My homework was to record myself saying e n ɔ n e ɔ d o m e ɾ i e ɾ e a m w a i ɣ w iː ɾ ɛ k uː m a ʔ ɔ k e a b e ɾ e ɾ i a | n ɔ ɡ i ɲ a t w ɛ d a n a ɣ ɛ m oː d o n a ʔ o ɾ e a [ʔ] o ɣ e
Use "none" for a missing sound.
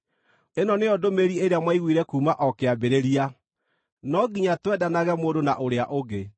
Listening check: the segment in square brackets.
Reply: ʔ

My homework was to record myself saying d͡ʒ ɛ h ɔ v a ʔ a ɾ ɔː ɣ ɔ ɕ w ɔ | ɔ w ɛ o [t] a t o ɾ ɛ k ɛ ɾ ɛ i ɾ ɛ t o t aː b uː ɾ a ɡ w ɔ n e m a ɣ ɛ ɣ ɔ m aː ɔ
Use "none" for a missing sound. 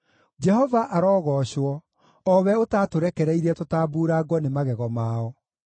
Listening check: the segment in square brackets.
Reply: t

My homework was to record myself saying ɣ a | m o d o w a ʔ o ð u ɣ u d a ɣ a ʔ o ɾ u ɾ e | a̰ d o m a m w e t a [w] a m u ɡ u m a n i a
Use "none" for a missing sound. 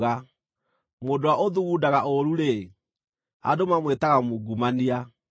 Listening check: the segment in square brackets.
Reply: ɣ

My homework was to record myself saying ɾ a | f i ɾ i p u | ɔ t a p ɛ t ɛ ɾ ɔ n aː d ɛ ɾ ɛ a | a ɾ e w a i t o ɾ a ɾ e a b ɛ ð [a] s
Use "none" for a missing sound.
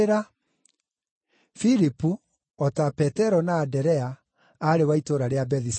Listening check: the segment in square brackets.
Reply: i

